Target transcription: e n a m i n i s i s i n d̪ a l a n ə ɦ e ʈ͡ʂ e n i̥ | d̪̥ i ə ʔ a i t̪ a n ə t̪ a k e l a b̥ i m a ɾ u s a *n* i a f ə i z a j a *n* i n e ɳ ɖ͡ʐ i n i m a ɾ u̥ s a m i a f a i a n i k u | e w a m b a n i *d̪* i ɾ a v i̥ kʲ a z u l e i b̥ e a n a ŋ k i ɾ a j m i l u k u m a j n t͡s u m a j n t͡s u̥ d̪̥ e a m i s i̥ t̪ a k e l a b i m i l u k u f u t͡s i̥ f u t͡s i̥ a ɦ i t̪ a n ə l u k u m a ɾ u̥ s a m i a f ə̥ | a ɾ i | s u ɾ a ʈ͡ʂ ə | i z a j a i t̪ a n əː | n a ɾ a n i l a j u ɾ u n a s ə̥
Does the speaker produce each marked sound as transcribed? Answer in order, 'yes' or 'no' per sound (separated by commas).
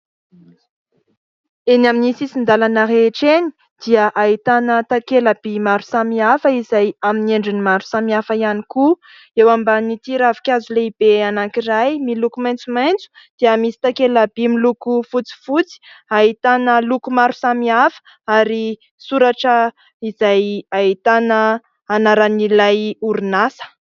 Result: no, no, no